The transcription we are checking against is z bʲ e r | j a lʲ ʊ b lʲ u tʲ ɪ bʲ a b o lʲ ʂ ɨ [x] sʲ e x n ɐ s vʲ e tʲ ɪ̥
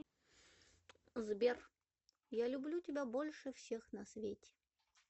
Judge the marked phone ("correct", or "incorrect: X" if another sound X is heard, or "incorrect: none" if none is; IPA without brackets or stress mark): incorrect: f